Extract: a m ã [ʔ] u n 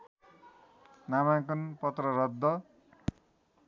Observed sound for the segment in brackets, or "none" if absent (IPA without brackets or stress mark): k